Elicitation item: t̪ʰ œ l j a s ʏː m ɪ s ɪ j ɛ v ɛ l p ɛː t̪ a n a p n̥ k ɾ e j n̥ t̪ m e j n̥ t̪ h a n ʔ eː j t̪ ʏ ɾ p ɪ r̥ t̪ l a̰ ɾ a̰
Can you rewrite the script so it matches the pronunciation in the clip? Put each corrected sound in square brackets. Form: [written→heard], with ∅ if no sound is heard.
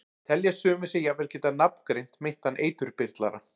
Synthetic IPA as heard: t̪ʰ [œ→ɛ] l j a s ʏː m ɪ s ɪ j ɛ v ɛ l [p→c] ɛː t̪ a n a p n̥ k ɾ e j n̥ t̪ m e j n̥ t̪ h a n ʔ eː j t̪ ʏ ɾ p ɪ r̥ t̪ l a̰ ɾ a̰